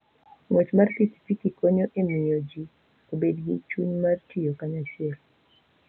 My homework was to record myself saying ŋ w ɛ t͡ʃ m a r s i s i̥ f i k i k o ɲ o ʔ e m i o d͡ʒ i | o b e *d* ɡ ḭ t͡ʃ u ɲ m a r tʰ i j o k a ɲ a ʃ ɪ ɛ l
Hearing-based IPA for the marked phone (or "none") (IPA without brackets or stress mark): d